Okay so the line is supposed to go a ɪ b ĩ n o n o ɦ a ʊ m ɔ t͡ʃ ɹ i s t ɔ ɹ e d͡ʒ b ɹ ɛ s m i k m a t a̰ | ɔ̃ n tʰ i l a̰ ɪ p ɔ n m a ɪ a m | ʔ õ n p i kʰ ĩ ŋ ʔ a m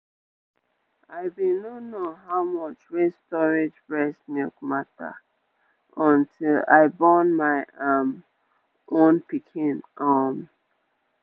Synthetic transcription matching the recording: a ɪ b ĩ n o n o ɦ a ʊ m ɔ t͡ʃ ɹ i s t ɔ ɹ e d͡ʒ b ɹ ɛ s m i k m a t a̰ | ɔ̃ n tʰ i l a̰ ɪ b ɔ n m a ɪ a m | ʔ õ n p i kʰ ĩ n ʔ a m